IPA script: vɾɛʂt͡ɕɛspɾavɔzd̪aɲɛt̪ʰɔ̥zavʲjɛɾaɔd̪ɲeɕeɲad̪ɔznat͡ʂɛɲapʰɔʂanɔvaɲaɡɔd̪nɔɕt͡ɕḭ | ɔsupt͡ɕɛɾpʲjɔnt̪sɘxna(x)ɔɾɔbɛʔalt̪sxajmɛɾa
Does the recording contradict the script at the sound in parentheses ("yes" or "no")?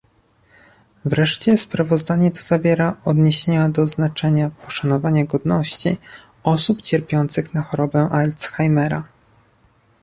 no